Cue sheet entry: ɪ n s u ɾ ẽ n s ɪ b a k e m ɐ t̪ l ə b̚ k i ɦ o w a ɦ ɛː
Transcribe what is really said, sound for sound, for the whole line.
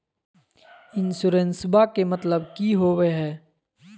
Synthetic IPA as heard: ɪ n s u ɾ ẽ n s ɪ b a k e m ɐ t̪ l ə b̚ k i ɦ o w e ɦ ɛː